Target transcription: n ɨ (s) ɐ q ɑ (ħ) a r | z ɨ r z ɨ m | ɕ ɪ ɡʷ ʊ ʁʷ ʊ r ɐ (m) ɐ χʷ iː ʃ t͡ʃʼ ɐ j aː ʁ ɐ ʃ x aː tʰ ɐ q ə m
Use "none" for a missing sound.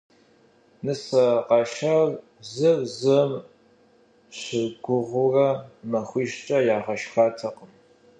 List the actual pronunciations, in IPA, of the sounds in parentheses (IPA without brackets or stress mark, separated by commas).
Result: s, ʃ, m